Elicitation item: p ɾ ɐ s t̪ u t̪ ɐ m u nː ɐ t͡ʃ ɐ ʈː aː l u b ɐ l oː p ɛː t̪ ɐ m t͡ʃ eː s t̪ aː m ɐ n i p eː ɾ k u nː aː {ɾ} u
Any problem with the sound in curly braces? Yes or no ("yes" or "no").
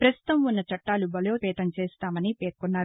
no